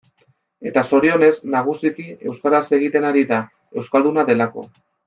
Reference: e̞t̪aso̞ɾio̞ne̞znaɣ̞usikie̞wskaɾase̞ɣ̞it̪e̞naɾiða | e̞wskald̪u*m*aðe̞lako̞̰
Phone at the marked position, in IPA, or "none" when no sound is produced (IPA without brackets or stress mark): n